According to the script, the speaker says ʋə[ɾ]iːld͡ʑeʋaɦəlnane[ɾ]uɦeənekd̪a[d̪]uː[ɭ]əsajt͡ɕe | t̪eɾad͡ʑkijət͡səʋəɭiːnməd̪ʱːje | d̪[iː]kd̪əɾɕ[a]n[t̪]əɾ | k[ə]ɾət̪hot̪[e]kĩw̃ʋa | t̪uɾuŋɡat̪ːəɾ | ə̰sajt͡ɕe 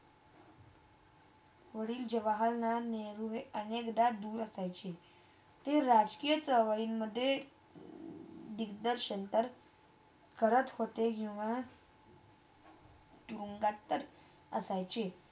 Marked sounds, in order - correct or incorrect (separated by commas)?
incorrect, correct, correct, incorrect, incorrect, incorrect, correct, correct, correct